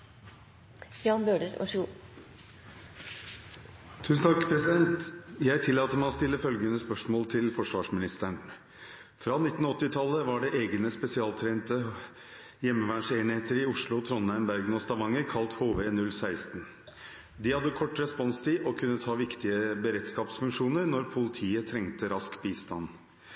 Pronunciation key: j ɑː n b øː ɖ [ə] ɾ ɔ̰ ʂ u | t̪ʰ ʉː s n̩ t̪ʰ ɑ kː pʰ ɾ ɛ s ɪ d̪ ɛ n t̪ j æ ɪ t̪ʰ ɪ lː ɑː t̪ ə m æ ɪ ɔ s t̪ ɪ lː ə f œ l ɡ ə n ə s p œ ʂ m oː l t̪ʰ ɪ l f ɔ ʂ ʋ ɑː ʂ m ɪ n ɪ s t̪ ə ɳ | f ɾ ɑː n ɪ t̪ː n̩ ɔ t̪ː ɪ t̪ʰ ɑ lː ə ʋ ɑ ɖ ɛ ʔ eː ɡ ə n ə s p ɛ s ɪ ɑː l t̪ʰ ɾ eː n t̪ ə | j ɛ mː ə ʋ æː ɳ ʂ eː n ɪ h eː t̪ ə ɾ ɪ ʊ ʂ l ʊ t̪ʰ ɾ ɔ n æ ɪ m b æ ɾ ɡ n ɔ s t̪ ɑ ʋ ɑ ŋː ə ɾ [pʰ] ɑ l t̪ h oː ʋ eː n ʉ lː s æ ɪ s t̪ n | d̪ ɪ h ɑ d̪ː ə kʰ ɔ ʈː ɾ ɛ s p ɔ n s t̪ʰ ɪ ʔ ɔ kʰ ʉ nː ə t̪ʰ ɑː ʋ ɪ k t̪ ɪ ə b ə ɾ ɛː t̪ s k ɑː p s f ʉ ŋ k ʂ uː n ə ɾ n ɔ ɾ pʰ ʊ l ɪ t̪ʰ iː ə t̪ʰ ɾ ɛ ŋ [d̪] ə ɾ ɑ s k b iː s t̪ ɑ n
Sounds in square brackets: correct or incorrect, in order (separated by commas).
correct, incorrect, incorrect